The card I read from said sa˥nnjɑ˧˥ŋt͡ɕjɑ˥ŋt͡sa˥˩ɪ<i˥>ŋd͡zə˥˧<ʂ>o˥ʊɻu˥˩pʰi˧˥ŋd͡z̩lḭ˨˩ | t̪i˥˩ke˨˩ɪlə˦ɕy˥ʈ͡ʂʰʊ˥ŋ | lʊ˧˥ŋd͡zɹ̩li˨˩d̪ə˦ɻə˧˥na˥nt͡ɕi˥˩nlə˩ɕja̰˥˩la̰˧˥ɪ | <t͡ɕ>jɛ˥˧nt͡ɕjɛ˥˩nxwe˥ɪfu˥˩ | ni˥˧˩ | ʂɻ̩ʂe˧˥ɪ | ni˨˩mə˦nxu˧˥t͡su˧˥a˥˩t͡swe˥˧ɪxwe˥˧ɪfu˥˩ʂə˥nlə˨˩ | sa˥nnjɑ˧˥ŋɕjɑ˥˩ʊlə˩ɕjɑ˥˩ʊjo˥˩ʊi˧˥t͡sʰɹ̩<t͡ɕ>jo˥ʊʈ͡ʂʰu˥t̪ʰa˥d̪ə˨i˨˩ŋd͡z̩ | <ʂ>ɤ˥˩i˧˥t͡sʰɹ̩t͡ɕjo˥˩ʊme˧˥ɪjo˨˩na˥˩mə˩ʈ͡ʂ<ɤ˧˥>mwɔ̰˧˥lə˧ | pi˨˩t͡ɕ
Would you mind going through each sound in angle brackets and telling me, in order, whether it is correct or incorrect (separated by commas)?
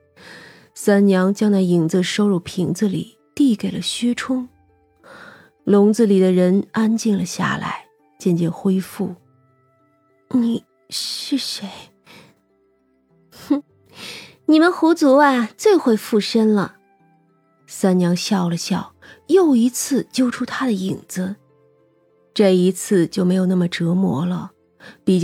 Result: incorrect, correct, correct, correct, incorrect, correct